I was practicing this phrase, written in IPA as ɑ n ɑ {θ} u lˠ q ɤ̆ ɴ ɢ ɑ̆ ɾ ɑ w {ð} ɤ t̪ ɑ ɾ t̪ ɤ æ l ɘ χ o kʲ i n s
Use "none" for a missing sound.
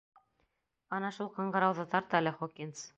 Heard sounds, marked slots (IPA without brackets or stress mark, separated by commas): ʃ, ð